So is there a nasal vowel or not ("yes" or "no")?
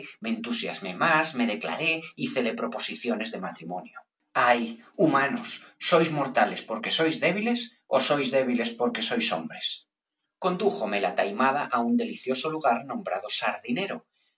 yes